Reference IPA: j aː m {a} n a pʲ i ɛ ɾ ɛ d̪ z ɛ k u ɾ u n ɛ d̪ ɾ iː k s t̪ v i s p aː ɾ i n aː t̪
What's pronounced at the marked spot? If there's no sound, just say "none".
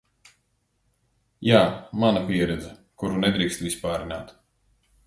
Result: a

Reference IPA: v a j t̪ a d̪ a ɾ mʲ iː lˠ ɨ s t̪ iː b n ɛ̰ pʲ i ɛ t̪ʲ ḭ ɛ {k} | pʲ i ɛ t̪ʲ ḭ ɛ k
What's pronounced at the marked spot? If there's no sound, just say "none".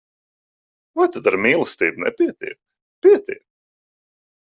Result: k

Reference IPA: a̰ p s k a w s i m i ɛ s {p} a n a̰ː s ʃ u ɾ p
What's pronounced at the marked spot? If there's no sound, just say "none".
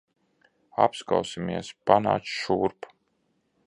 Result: p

